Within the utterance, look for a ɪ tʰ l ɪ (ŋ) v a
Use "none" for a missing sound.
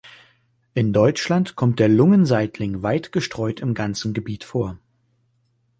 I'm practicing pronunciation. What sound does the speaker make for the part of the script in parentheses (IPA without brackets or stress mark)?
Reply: ŋ